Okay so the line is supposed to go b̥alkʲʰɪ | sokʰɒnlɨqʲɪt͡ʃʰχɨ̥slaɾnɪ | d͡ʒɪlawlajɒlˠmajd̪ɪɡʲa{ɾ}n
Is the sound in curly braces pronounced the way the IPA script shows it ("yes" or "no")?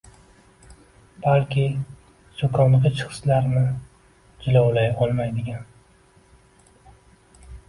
no